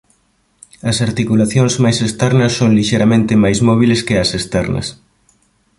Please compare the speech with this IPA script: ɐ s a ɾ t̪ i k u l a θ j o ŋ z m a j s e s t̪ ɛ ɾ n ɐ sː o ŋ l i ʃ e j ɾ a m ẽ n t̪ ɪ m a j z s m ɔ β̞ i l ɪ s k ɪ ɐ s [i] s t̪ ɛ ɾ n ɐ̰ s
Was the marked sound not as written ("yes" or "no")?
yes